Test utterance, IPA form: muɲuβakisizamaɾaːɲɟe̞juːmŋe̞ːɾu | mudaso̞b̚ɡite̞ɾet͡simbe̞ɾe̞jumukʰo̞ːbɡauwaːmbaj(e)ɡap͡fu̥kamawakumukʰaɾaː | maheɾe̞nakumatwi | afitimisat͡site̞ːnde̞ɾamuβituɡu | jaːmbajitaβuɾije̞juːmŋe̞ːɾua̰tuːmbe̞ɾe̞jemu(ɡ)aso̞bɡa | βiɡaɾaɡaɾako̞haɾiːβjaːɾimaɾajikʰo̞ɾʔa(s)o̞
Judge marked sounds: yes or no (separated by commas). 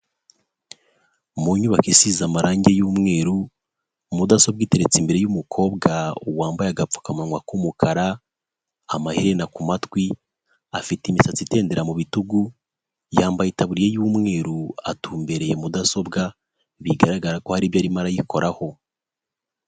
no, no, no